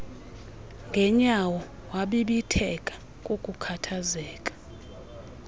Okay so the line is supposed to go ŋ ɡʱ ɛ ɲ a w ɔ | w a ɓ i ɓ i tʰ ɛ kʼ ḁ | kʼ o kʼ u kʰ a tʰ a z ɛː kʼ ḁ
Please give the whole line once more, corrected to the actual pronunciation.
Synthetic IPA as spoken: ŋ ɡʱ ɛ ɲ a w ɔ | w a ɓ i ɓ i tʰ ɛ kʼ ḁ | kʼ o kʼ u kʰ a tʰ a z ɛː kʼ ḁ